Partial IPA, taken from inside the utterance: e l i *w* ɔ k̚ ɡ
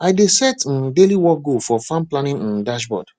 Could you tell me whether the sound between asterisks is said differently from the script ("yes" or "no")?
no